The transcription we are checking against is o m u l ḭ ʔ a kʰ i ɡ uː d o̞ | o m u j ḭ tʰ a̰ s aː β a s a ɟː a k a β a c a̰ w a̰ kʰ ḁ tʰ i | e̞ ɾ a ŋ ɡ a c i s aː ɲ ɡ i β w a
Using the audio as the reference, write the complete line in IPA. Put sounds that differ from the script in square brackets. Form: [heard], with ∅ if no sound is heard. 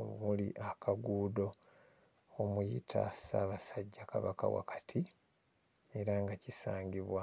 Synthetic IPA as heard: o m u l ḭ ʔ a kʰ [a] ɡ uː d o̞ | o m u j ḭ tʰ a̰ s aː β a s a ɟː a k a β a [k] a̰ w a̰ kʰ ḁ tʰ i | e̞ ɾ a ŋ ɡ a c i s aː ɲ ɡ i β w a